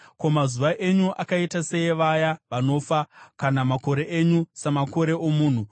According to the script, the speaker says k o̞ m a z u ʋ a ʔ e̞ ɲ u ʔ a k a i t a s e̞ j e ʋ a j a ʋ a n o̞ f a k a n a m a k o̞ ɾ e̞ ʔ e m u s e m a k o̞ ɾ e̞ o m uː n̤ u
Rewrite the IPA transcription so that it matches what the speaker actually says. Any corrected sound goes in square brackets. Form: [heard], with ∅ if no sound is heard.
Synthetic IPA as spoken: k o̞ m a z u ʋ a ʔ e̞ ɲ u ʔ a k a i t a s e̞ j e ʋ a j a ʋ a n o̞ f a k a n a m a k o̞ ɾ e̞ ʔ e [ɲ] u s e m a k o̞ ɾ e̞ o m uː n̤ u